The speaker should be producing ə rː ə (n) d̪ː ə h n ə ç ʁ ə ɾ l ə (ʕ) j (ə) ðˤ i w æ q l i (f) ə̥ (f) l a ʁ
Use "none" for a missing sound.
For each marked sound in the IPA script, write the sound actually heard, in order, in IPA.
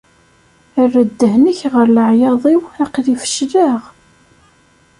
none, ʕ, ɑ, f, ʃ

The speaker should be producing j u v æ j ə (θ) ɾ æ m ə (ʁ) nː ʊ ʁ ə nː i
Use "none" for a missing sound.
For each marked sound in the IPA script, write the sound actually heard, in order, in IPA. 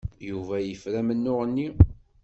f, none

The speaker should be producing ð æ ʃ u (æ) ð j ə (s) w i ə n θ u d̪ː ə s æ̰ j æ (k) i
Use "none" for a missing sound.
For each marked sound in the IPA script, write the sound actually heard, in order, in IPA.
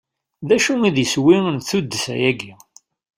i, s, ɡ

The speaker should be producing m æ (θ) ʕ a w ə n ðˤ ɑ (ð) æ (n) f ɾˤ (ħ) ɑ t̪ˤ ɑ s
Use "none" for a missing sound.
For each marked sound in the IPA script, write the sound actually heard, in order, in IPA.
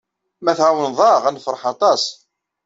θ, ʁ, n, ħ

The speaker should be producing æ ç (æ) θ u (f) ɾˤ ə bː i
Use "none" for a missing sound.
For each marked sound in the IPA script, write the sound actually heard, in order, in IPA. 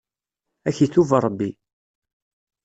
i, v

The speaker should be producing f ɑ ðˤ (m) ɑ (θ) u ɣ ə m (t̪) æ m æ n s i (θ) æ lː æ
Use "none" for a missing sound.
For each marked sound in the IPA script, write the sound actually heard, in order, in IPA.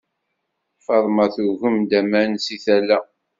m, θ, d̪, θ

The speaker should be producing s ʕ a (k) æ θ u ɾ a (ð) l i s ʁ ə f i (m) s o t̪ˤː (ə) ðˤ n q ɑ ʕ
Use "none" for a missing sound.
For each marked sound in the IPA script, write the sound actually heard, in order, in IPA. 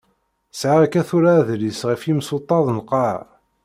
k, ð, m, ɑ

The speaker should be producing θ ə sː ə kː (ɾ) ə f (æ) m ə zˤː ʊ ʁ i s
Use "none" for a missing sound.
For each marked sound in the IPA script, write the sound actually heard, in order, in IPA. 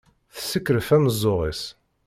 ɾ, æ

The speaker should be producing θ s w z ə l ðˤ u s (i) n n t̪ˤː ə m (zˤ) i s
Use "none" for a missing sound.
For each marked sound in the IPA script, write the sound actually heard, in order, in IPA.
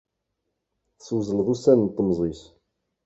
æ, zˤ

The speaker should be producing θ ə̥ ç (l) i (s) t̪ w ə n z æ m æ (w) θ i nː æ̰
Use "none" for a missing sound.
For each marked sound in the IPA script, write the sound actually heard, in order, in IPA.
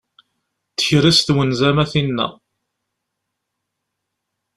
ɾ, s, none

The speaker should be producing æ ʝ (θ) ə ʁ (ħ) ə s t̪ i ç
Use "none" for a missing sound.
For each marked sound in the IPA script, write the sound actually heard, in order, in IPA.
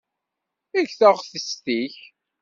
θ, θ

